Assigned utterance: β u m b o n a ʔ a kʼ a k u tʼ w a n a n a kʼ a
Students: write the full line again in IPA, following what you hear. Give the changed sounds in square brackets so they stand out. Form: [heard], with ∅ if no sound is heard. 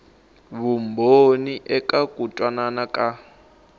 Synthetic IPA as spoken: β u m b o n [i] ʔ [ɛ] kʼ a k u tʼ w a n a n a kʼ a

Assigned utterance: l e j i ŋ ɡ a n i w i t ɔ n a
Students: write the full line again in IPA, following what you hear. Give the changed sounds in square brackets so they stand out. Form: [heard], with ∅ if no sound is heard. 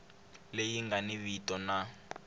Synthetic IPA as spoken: l e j i ŋ ɡ a n i [β] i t ɔ n a

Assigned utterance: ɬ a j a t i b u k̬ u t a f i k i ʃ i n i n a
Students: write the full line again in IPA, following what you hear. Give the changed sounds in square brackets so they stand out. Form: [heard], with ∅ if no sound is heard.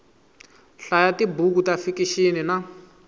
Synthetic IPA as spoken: ɬ a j a t i b u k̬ u t a f i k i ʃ i n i n a

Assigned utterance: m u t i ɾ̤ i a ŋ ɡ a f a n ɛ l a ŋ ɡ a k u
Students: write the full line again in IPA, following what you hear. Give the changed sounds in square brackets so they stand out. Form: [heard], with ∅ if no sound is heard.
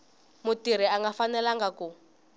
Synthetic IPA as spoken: m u t i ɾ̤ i a ŋ ɡ a f a n ɛ l a ŋ ɡ a k u

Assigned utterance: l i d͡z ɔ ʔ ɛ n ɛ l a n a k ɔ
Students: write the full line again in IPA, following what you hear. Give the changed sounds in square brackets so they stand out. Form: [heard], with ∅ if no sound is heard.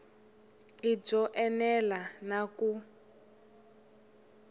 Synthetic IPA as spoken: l i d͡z ɔ ʔ ɛ n ɛ l a n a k [u]

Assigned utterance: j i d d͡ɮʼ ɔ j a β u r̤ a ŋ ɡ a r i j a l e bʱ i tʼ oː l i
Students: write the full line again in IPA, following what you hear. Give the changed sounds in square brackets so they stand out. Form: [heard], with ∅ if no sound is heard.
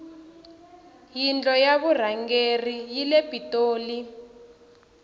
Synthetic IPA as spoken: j i [n] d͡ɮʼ ɔ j a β u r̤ a ŋ ɡ [e] r i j [i] l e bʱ i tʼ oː l i

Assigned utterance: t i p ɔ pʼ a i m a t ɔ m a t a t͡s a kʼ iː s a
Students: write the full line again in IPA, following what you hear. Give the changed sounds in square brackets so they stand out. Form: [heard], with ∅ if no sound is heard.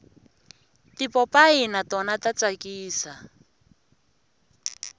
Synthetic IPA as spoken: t i p ɔ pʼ a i [n] a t ɔ [n] a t a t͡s a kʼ iː s a

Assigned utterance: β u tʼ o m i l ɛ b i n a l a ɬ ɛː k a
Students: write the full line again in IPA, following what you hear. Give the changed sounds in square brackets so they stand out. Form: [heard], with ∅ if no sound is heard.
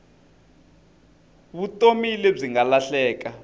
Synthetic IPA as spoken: β u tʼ o m i l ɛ [b͡ʐ] i [ŋ] a l a ɬ ɛː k a

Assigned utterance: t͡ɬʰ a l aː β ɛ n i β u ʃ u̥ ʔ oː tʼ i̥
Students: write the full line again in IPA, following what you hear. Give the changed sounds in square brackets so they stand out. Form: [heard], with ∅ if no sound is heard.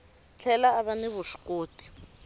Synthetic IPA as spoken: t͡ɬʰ [ɛ] l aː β [a] n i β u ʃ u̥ [k] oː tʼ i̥

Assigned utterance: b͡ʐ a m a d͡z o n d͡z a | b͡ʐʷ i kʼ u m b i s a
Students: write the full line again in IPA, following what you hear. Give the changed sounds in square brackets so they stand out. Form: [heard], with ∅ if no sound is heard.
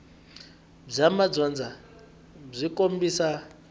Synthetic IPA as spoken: b͡ʐ a m a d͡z [ɔ] n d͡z a | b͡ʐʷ i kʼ [o] m b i s a

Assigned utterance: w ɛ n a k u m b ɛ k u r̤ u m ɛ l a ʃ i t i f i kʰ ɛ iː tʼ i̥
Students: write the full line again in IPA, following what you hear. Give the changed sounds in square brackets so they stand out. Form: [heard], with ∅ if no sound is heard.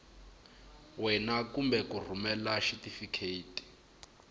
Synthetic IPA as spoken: w ɛ n a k u m b ɛ k u r̤ u m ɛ l a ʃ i t i f i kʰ [e] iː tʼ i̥

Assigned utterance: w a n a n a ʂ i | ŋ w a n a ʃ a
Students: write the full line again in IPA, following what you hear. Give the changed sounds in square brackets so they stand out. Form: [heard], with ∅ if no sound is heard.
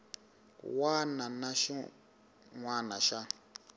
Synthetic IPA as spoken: w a n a n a [ʃ] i | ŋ w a n a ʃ a

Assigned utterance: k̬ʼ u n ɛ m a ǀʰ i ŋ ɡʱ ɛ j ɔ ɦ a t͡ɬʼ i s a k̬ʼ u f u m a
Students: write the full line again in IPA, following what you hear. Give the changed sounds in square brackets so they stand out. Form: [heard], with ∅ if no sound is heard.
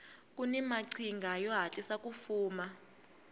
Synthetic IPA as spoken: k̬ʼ u n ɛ m a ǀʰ i ŋ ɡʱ [a] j ɔ ɦ a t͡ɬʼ i s a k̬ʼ u f [uː] m a

